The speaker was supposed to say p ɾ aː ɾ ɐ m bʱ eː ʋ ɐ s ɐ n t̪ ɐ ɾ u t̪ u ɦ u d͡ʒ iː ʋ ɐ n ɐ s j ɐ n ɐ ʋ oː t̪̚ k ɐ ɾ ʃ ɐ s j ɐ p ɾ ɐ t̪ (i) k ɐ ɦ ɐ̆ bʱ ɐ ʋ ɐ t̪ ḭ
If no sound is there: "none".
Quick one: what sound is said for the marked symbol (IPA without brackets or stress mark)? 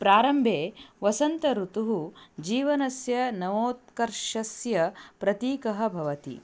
iː